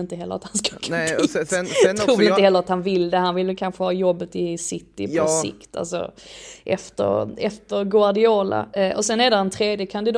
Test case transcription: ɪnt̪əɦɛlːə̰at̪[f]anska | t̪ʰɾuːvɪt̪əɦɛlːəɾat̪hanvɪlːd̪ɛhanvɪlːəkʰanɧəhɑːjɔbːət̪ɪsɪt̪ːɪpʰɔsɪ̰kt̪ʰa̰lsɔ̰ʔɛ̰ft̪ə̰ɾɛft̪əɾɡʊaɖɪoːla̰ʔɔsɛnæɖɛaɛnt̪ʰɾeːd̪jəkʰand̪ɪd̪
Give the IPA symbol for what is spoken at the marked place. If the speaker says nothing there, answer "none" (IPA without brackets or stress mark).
h